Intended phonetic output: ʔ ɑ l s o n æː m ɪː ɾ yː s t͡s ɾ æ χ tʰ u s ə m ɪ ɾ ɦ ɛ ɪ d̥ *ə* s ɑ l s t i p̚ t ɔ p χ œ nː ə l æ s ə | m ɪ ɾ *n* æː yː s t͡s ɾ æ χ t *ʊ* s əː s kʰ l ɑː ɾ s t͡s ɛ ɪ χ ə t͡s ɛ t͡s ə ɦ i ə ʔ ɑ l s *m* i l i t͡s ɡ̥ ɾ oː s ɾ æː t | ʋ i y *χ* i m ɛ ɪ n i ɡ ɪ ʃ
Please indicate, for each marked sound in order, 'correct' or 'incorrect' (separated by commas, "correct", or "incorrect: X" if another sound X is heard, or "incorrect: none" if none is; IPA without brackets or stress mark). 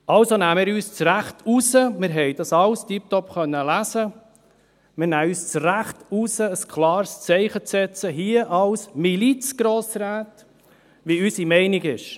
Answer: incorrect: ɑ, correct, incorrect: u, correct, incorrect: s